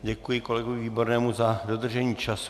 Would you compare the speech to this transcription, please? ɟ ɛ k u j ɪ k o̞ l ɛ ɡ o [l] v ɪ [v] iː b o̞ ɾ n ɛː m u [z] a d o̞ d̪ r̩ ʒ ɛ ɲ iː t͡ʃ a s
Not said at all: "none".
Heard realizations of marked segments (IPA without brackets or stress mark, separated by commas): none, v, z